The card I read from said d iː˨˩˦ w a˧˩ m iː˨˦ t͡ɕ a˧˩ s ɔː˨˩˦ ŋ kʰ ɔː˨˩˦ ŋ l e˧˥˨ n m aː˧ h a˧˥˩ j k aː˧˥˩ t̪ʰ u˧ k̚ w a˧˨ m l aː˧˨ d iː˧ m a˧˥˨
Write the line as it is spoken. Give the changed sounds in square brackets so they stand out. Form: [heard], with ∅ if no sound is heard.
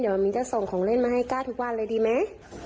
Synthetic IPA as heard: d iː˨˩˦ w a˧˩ m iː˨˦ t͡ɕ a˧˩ s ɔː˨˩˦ ŋ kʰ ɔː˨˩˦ ŋ l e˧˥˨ n m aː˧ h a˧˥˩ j k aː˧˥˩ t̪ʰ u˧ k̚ w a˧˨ [n] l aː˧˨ d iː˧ m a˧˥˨